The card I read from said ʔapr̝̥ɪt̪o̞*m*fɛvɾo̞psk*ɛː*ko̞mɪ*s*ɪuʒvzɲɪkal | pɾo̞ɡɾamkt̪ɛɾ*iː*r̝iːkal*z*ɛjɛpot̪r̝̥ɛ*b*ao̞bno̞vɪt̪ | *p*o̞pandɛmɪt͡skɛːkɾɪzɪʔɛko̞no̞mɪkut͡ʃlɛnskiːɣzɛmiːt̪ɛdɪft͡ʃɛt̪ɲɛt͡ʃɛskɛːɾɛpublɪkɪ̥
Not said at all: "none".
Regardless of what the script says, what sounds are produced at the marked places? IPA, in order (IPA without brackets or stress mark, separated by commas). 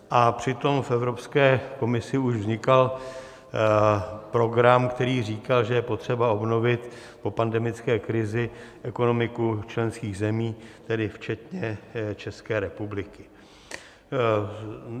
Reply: m, ɛː, s, iː, ʒ, b, p